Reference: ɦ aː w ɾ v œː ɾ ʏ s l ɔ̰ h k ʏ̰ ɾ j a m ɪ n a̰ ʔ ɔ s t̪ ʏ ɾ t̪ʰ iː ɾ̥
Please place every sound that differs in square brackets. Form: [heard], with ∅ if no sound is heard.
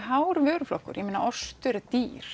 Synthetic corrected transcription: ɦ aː w ɾ v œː ɾ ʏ [f] l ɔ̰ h k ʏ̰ ɾ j [ɛ] m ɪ n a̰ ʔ ɔ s t̪ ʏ ɾ [t̪] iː ɾ̥

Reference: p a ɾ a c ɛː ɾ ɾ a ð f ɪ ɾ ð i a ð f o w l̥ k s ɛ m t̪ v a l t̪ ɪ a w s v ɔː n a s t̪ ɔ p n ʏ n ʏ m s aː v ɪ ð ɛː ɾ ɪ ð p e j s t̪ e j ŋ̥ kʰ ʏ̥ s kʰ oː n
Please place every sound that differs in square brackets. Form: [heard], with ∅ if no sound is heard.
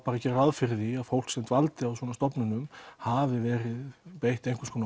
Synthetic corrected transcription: p a ɾ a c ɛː ɾ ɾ a ð f ɪ ɾ ð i a ð f o w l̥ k s ɛ m t̪ v a l t̪ ɪ a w s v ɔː n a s t̪ ɔ p n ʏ n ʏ m [h] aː v ɪ [v] ɛː ɾ ɪ ð p e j [h] t̪ e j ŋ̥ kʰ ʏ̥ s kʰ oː n

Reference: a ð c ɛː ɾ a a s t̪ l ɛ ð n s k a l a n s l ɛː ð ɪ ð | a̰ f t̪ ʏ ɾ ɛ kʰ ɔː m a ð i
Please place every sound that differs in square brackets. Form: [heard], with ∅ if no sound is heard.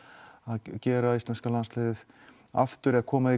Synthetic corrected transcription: a ð c ɛː ɾ a [i] s t̪ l ɛ [∅] n s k a l a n s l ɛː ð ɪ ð | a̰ f t̪ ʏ ɾ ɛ kʰ ɔː m a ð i

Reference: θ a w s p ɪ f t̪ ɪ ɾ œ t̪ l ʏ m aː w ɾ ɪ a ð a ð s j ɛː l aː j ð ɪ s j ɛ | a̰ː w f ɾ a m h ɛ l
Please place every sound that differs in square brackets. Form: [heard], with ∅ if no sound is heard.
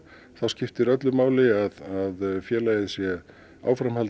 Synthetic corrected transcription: θ a w s [c] ɪ f t̪ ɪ ɾ œ t̪ l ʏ m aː w [l] ɪ a ð a ð [f] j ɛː l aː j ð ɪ s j ɛ | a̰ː w f ɾ a m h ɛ l

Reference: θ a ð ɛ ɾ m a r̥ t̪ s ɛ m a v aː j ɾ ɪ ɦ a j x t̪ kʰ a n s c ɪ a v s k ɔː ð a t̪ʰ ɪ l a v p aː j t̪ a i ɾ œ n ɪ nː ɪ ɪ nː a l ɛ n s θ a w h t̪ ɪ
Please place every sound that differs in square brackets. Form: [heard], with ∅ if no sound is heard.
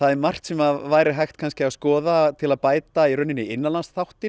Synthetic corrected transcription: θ a ð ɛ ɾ m a r̥ t̪ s ɛ m a v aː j ɾ ɪ ɦ a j x t̪ kʰ a n s c ɪ a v s k ɔː ð a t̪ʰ ɪ l a [ð] p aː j t̪ a i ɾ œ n ɪ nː ɪ ɪ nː a l [a] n s θ a w h t̪ ɪ

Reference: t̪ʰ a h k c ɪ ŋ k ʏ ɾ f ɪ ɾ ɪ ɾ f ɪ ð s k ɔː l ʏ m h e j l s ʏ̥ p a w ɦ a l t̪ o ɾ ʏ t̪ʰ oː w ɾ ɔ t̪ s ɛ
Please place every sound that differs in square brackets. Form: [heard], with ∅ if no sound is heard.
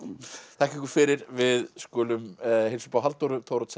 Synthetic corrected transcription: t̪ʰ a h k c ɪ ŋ k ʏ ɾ f ɪ ɾ ɪ ɾ [v] ɪ ð s k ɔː l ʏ m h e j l s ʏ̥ p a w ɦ a l t̪ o ɾ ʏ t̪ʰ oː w ɾ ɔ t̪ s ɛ

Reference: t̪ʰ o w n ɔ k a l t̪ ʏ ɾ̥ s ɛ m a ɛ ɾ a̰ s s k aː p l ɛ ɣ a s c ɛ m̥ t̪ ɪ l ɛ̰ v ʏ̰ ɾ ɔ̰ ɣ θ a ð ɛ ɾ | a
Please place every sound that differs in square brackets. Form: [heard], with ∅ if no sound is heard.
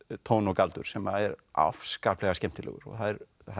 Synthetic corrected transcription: t̪ʰ o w n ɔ k a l t̪ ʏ ɾ̥ s ɛ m a ɛ ɾ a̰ [f] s k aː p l ɛ ɣ a s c ɛ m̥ t̪ ɪ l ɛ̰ [ɣ] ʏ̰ ɾ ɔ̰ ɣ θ a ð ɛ ɾ | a

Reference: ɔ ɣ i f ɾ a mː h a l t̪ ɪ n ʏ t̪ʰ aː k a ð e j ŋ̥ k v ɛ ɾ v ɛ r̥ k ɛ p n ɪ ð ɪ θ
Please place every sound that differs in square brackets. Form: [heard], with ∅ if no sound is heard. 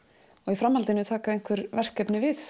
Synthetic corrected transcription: ɔ ɣ i f ɾ a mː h a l t̪ ɪ n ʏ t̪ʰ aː k a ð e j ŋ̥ k v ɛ ɾ v ɛ r̥ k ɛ p n ɪ [v] ɪ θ

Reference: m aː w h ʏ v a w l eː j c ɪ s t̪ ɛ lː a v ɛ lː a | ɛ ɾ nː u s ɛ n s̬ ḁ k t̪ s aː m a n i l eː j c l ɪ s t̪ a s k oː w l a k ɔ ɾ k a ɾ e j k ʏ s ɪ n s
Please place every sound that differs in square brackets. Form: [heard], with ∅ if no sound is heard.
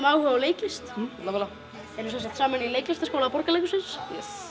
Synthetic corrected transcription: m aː w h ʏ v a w l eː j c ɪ s t̪ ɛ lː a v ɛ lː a | ɛ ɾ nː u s ɛ n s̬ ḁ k t̪ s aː m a n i l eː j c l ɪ s t̪ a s k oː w l a [p] ɔ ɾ k a [l] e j k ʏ s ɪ n s

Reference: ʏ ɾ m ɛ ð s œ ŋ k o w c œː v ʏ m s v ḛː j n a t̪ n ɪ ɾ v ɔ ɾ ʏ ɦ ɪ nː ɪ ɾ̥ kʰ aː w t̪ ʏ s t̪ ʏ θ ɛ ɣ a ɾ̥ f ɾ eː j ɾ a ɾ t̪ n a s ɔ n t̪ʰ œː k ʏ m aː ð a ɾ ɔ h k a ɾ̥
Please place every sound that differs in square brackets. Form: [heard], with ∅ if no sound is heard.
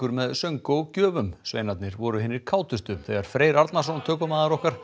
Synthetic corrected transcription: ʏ ɾ m ɛ ð s œ ŋ k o w c œː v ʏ m s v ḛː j n a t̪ n ɪ ɾ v ɔ ɾ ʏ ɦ ɪ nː ɪ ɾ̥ kʰ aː w t̪ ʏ s t̪ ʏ θ ɛ ɣ a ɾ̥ f ɾ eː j ɾ a ɾ t̪ n a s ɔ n t̪ʰ œː k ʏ m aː ð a ɾ ɔ h k a ɾ̥

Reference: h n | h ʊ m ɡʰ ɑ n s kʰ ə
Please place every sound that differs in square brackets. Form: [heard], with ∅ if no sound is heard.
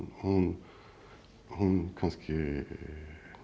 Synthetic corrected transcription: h n | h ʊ [n] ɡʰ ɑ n s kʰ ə

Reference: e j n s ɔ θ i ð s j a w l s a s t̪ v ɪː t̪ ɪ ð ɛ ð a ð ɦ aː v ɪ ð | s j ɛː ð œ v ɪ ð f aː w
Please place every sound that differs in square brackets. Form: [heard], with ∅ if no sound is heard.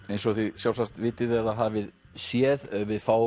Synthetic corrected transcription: e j n s ɔ θ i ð s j a w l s a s t̪ v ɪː t̪ ɪ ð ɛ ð a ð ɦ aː v ɪ ð | s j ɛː ð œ v ɪ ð f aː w

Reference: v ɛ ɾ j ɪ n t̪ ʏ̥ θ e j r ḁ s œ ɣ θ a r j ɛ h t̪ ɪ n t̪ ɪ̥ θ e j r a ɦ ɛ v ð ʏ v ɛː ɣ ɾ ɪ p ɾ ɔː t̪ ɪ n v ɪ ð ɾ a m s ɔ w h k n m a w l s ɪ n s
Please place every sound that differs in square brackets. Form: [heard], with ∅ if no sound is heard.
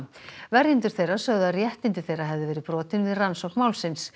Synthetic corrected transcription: v ɛ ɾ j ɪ n t̪ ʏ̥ θ e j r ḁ s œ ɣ [ð] a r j ɛ h t̪ ɪ n t̪ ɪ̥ θ e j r a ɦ ɛ v ð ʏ v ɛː [∅] ɾ ɪ p ɾ ɔː t̪ ɪ n v ɪ ð [r] a [n] s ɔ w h k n m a w l s ɪ n s

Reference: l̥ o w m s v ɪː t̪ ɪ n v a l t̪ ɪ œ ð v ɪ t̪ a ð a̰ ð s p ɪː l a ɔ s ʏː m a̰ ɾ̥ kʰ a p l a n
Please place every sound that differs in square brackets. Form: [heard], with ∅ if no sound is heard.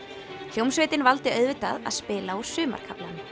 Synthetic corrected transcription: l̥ o w m s v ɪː t̪ ɪ n v a l t̪ ɪ œ ð v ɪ t̪ a ð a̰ ð s p ɪː l a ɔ s ʏː m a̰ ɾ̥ kʰ a p l a n

